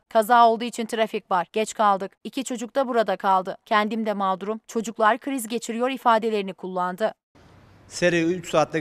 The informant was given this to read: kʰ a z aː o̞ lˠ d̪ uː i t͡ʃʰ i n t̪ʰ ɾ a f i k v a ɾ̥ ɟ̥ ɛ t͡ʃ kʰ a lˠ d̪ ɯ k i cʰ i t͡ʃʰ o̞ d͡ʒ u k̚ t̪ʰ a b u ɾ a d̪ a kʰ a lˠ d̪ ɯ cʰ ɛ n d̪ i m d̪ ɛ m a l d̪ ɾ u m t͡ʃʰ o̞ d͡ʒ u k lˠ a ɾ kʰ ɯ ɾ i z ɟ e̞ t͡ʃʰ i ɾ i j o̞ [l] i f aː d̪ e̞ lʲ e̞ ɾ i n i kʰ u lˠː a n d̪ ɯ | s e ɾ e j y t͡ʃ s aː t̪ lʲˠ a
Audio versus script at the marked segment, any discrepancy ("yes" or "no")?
yes